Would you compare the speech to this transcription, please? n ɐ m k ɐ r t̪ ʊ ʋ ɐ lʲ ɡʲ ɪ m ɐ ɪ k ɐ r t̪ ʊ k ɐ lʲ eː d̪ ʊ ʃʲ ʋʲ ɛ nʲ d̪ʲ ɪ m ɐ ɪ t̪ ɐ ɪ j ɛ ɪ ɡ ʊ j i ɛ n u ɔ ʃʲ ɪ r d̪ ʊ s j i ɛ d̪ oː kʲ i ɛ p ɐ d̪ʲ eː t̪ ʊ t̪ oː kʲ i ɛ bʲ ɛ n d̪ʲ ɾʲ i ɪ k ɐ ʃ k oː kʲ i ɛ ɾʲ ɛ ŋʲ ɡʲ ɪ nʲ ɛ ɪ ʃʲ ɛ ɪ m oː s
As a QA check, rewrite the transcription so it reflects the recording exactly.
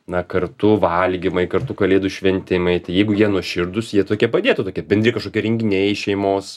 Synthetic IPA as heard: n ɐ k ɐ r t̪ ʊ ʋ ɐ lʲ ɡʲ ɪ m ɐ ɪ k ɐ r t̪ ʊ k ɐ lʲ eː d̪ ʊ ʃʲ ʋʲ ɛ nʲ t̪ʲ ɪ m ɐ ɪ t̪ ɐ ɪ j ɛ ɪ ɡ ʊ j i ɛ n u ɔ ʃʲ ɪ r d̪ ʊ s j i ɛ t̪ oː kʲ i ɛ p ɐ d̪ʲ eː t̪ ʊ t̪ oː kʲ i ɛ bʲ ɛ n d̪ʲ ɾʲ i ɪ k ɐ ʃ k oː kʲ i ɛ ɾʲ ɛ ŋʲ ɡʲ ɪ nʲ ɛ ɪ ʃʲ ɛ ɪ m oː s